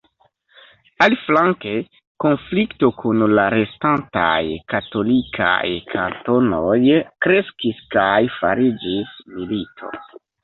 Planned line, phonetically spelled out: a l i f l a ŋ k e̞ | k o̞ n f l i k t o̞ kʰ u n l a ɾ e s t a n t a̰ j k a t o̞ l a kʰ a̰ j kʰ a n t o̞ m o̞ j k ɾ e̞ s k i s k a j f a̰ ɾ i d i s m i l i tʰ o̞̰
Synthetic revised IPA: a l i f l a ŋ k e̞ | k o̞ n f l i k t o̞ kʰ u n l a ɾ e s t a n t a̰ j k a t o̞ l i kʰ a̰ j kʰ a n t o̞ n o̞ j k ɾ e̞ s k i s k a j f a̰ ɾ i d͡ʒ i s m i l i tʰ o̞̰